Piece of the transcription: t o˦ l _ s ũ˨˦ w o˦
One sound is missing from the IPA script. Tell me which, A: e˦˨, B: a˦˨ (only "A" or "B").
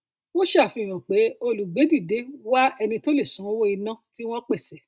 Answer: A